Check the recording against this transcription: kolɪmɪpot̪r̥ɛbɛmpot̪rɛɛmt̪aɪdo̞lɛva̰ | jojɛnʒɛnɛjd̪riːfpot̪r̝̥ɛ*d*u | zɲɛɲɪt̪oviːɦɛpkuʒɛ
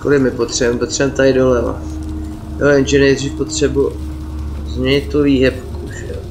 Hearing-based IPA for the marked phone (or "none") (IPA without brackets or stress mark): b